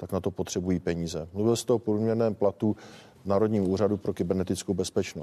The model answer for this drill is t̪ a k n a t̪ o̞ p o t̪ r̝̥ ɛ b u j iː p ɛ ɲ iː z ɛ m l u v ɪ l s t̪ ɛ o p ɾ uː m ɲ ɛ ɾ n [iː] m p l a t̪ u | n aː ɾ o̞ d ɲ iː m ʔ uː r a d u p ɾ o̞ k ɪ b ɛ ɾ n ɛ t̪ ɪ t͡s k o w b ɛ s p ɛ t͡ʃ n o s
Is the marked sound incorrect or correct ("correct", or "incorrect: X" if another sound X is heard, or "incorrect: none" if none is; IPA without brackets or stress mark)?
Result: incorrect: ɛː